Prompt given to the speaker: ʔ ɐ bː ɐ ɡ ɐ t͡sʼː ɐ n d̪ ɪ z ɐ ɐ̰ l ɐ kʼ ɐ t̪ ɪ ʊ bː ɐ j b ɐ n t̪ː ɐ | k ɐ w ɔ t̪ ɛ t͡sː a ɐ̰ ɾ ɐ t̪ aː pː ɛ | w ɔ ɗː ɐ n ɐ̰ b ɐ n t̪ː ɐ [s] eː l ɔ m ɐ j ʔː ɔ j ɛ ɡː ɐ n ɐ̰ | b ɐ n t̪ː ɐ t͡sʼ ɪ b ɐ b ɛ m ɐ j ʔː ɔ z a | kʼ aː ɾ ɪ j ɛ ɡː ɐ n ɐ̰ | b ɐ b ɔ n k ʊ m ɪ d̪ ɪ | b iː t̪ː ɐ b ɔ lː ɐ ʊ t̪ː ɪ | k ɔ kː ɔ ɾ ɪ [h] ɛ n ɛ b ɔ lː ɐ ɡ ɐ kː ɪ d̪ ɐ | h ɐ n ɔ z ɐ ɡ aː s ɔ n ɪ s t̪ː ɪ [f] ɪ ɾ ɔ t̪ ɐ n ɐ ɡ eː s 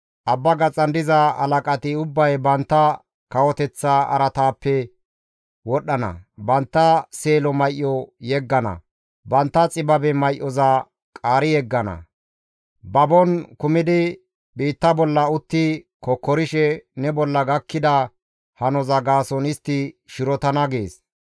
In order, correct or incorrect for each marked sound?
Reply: correct, incorrect, incorrect

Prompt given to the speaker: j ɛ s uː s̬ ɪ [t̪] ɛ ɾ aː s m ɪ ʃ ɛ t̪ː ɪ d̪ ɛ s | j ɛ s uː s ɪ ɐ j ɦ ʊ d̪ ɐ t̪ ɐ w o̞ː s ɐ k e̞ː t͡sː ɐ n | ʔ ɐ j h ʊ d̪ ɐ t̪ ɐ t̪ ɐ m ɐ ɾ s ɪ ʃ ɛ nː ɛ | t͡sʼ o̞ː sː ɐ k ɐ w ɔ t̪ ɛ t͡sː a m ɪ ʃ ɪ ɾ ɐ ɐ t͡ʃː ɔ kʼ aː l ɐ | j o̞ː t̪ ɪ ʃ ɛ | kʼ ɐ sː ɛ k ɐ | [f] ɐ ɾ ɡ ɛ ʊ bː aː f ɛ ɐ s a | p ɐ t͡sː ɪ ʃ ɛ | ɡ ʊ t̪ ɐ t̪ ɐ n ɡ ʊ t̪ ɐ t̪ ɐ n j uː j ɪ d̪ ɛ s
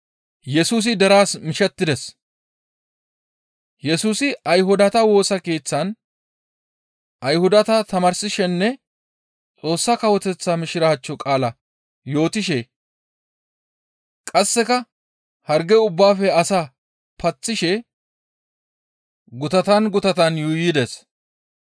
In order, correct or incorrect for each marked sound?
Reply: incorrect, incorrect

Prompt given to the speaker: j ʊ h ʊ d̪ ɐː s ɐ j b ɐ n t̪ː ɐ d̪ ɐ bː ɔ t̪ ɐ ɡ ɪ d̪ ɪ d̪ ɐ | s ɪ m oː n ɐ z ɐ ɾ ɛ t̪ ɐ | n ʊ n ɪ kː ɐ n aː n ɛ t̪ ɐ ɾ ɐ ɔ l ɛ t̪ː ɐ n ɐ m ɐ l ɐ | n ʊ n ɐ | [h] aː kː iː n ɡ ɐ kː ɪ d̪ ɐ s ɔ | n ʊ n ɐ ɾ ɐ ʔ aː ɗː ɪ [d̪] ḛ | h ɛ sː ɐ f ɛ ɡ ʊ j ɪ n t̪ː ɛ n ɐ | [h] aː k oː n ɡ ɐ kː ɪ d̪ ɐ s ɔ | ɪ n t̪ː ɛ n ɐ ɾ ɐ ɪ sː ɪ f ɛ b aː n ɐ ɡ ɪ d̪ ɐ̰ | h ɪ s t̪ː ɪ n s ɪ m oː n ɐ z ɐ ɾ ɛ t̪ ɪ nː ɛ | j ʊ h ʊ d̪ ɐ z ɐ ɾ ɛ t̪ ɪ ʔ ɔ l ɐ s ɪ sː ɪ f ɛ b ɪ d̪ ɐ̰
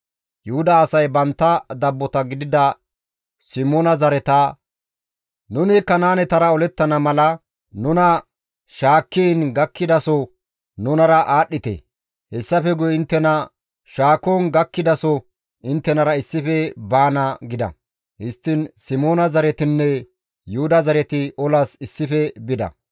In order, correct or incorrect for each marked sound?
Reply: incorrect, incorrect, incorrect

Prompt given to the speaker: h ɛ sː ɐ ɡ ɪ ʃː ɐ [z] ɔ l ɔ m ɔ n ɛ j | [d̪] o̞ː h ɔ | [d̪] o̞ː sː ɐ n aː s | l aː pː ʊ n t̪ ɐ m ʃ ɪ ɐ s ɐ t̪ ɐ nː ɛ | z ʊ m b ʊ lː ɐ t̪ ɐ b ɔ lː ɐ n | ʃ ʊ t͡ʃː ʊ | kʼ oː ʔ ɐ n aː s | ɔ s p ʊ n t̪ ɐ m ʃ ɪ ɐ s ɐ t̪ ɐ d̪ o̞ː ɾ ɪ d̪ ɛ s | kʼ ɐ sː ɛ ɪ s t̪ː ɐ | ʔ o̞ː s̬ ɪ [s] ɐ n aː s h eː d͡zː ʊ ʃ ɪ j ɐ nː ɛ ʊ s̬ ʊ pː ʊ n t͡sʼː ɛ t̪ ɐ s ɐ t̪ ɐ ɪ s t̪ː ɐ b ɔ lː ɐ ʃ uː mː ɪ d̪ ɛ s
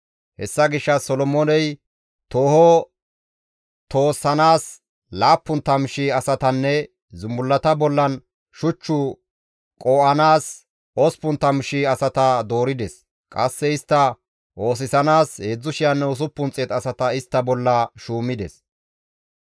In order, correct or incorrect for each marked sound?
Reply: incorrect, incorrect, incorrect, correct

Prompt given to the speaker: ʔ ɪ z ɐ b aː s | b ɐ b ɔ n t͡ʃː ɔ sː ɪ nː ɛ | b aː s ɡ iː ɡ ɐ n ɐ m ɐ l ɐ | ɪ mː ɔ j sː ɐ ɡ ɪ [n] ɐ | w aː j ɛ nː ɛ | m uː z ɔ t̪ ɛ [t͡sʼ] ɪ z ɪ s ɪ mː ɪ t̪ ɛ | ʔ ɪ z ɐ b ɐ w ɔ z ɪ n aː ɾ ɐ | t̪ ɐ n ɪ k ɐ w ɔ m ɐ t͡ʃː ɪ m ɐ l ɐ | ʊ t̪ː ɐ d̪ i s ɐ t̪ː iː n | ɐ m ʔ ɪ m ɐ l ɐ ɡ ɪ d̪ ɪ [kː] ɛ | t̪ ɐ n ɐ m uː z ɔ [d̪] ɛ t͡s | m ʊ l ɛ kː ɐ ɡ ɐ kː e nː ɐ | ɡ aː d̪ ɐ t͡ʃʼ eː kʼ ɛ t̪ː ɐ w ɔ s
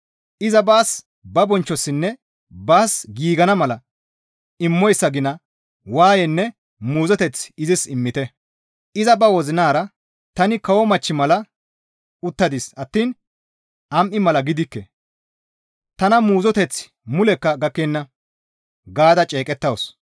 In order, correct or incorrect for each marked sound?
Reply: correct, incorrect, correct, incorrect

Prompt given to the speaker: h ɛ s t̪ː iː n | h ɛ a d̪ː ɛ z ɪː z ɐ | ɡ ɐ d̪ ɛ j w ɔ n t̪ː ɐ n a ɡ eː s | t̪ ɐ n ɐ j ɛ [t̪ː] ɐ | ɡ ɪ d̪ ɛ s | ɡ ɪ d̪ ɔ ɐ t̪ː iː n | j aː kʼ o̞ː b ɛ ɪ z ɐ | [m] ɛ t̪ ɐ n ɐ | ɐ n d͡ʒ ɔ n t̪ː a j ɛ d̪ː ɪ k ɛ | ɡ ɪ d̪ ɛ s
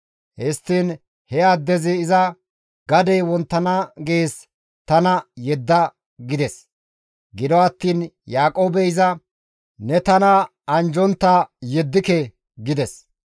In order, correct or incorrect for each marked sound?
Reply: incorrect, incorrect

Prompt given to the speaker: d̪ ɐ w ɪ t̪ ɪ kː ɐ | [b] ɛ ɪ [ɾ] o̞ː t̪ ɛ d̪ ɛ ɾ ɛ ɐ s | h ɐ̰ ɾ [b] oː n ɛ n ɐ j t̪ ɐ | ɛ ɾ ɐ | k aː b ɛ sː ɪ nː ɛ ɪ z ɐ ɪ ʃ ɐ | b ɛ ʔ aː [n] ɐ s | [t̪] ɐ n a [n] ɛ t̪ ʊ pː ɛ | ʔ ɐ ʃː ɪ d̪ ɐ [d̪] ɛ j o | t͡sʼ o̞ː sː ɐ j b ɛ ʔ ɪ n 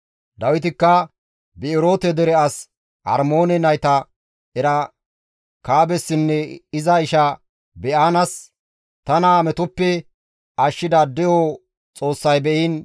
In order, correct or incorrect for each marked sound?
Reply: correct, correct, incorrect, correct, correct, incorrect, correct

